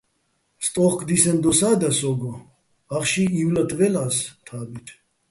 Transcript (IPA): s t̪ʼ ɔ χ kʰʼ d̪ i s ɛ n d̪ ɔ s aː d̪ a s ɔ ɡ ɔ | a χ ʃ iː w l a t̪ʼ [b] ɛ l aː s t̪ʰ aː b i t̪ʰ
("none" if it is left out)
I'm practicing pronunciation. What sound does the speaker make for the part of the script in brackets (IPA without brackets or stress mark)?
v